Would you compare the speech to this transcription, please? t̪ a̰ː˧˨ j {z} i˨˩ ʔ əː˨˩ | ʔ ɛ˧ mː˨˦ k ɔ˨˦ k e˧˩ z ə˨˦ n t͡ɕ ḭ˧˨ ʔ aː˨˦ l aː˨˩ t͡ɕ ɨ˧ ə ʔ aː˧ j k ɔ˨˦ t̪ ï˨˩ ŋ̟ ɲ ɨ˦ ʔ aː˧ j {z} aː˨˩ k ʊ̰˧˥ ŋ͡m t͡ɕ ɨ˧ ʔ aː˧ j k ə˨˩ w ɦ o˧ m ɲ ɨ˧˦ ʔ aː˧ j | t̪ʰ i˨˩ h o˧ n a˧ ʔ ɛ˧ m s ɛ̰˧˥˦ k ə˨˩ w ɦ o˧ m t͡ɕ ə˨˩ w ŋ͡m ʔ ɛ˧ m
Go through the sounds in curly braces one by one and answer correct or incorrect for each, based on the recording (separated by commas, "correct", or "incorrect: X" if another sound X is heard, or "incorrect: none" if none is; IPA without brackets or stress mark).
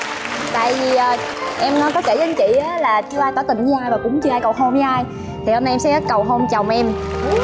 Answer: incorrect: v, incorrect: v